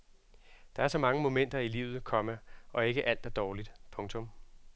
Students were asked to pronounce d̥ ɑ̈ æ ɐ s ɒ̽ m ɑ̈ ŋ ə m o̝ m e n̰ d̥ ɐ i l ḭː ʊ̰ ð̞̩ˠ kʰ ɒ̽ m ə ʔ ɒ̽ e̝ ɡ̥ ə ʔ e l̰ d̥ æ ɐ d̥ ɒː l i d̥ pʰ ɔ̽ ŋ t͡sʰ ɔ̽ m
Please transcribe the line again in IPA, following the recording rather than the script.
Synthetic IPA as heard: d̥ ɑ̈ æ ɐ s ɒ̽ m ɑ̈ ŋ ə m o̝ m e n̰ d̥ ɐ i l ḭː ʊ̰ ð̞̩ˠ kʰ ɒ̽ m ə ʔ ɒ̽ e̝ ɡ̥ ə ʔ æ l̰ d̥ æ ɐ d̥ ɒː l i d̥ pʰ ɔ̽ ŋ t͡sʰ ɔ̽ m